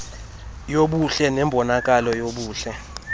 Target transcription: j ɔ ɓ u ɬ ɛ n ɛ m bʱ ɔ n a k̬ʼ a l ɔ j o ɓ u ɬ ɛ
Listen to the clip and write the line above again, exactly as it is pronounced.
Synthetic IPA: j o ɓ u ɬ ɛ n ɛ m bʱ ɔ n a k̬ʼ a l ɔ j o ɓ uː ɬ ɛ